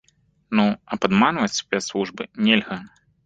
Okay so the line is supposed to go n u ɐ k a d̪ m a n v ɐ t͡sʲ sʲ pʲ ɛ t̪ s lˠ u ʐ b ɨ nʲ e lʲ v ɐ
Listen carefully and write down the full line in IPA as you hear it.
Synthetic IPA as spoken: n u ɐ p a d̪ m a n v ɐ t͡sʲ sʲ pʲ ɛ t̪ s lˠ u ʐ b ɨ nʲ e lʲ ɣ ɐ